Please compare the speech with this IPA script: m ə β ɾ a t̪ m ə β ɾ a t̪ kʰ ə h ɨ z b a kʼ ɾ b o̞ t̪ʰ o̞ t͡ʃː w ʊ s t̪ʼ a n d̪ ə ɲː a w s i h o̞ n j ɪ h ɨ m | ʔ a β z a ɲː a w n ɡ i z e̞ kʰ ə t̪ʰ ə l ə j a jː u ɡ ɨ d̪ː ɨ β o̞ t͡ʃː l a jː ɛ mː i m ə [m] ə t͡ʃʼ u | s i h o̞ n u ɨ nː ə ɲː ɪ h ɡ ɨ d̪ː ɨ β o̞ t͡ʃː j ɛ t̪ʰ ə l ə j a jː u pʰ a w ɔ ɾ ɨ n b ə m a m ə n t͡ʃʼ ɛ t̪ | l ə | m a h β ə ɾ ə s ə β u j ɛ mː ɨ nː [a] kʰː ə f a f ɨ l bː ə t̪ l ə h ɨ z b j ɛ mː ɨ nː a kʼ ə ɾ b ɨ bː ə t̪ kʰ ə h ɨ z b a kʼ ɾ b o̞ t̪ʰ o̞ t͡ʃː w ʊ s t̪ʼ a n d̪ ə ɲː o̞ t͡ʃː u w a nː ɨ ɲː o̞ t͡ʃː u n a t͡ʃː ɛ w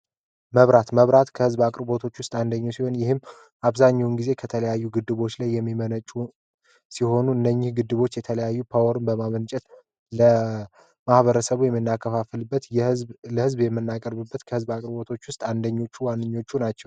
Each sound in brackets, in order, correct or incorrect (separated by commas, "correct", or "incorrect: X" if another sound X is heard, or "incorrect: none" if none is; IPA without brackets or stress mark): incorrect: n, correct